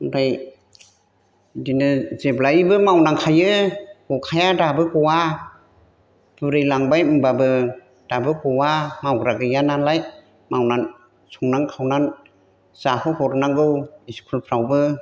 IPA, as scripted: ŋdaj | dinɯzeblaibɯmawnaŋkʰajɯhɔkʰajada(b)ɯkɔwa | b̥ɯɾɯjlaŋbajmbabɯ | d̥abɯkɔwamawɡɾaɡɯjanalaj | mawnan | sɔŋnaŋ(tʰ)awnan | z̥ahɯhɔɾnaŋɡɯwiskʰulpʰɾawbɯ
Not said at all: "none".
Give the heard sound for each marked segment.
b, kʰ

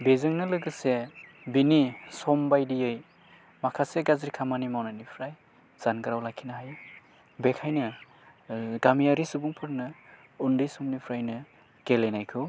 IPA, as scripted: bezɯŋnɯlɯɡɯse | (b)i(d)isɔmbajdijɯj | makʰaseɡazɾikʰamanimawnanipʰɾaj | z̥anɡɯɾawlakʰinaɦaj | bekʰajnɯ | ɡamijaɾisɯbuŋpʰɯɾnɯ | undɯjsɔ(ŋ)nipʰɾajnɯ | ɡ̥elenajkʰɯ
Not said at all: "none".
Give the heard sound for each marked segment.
b, n, m

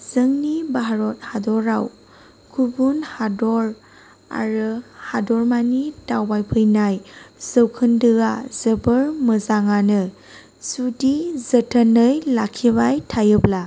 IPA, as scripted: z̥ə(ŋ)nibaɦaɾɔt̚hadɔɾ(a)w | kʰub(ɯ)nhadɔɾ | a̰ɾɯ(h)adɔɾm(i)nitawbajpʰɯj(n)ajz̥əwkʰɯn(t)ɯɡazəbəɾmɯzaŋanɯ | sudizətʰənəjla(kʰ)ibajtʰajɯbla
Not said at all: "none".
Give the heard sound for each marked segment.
ŋ, a, u, h, a, n, d, kʰ

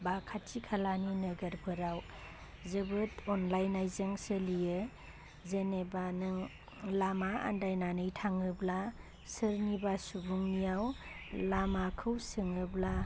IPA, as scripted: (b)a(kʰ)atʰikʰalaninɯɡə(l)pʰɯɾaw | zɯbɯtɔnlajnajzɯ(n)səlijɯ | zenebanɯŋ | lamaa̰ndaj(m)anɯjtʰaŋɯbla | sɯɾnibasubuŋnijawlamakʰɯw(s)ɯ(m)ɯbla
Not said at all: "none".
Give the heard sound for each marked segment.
b, kʰ, ɾ, ŋ, n, s, ŋ

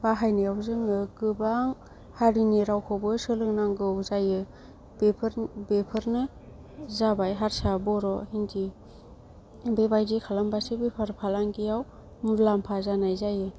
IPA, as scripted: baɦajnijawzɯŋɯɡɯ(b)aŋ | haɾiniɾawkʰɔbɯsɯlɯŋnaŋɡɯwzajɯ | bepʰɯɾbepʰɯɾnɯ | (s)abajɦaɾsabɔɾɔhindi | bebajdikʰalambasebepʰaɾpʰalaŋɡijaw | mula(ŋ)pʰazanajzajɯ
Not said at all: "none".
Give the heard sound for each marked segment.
b, z, m

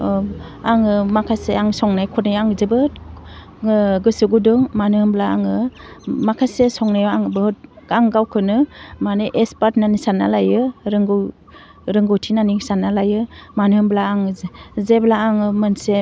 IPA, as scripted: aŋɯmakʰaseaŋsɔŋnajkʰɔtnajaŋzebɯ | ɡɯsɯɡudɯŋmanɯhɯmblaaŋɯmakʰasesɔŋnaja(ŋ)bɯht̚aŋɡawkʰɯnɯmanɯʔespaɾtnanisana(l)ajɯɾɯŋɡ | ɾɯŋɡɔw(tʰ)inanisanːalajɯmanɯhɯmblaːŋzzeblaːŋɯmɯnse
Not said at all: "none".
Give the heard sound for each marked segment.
ŋ, l, tʰ

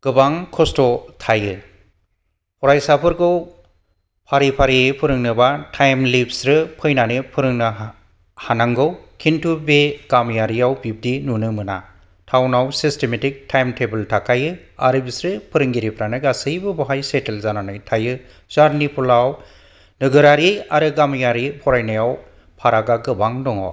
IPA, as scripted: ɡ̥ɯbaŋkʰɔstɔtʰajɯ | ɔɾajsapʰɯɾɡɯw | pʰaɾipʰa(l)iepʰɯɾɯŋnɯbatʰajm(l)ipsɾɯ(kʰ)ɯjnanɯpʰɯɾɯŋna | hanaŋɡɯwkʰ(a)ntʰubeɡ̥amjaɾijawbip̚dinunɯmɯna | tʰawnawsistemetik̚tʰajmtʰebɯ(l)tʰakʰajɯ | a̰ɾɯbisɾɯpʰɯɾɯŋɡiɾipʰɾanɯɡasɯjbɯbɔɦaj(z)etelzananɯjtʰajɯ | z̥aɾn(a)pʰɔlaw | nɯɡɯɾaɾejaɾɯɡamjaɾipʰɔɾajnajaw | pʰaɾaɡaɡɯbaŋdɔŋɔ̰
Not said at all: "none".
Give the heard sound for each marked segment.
ɾ, l, pʰ, i, l, s, i

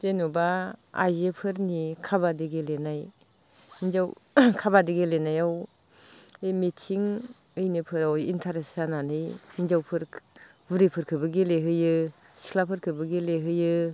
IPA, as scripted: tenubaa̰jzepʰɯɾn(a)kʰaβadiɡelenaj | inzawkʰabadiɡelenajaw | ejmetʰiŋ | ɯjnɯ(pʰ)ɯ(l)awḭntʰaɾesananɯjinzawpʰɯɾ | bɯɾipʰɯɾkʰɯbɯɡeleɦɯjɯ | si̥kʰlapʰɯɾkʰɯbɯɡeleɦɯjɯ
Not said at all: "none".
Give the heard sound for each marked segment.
i, pʰ, ɾ

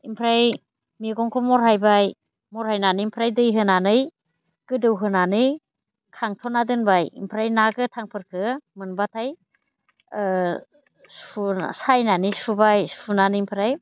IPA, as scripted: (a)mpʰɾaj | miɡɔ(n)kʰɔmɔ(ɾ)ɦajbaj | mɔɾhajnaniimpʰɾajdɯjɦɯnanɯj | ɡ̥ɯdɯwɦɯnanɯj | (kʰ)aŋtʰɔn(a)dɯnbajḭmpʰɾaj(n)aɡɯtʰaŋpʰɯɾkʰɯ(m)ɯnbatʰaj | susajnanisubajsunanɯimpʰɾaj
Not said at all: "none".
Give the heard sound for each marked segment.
i, ŋ, ɾ, kʰ, a, n, m

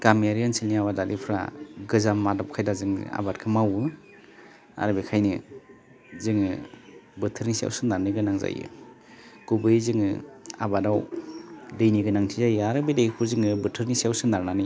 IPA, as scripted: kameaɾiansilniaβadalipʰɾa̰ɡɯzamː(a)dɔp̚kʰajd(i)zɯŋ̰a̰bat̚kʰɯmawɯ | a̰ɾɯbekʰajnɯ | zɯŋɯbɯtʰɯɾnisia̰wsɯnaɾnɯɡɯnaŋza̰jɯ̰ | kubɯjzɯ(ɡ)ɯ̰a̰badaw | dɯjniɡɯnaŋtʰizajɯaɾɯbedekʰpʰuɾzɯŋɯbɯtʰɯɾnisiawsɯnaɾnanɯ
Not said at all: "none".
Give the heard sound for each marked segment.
a, a, ŋ

